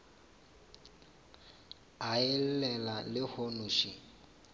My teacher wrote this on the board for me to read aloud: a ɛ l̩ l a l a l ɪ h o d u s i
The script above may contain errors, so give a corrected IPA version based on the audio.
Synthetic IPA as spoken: a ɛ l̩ l ɛ l a l ɪ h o n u ʃ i